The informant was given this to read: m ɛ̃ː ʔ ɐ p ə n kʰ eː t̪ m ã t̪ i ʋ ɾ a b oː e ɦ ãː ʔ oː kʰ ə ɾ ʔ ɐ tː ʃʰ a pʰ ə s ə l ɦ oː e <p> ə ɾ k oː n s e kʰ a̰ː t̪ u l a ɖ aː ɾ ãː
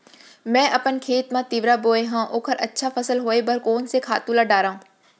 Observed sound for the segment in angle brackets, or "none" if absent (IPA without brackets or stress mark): b